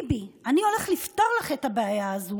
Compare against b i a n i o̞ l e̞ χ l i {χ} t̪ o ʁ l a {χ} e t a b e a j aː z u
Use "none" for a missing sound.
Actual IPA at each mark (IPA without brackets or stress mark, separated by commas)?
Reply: f, χ